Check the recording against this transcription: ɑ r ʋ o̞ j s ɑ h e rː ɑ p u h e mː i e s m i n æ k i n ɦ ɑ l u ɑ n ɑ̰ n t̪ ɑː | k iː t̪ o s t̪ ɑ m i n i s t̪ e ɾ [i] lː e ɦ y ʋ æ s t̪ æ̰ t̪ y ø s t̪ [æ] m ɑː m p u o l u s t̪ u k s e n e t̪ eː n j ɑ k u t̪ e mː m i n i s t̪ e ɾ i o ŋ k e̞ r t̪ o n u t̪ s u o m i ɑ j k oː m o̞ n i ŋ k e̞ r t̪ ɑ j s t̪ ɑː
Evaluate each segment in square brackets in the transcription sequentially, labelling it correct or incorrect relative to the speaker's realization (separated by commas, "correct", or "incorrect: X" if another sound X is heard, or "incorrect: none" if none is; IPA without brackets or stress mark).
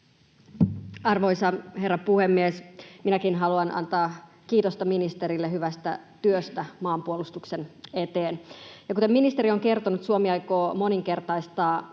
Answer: correct, correct